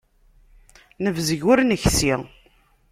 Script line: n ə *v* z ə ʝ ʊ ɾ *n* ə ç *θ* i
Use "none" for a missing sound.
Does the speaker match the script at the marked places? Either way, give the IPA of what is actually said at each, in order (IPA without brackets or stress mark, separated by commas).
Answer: v, n, s